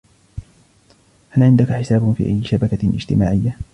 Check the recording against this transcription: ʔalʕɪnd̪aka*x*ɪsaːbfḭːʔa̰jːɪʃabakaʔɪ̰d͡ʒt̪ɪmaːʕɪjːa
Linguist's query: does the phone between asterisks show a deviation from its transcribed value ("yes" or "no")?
yes